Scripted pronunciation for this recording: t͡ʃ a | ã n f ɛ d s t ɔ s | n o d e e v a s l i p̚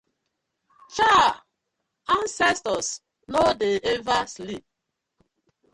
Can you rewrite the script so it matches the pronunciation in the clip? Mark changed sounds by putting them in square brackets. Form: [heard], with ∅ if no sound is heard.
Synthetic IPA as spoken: t͡ʃ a | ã n [s] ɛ [∅] s t ɔ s | n o d e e v a s l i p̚